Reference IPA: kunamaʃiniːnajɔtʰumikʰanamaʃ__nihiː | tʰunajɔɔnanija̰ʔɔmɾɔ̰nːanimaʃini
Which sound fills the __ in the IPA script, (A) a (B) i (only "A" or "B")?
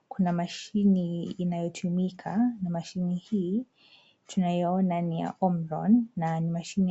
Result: B